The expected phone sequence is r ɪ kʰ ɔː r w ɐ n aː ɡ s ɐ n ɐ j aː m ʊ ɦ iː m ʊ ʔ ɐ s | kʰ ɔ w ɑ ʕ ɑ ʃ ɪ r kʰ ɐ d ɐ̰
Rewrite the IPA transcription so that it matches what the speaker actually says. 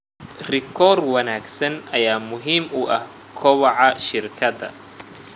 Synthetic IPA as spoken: r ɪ kʰ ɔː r w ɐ n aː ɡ s ɐ n ɐ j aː m ʊ ɦ iː m ʊ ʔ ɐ h | kʰ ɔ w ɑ ʕ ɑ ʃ ɪ r kʰ ɐ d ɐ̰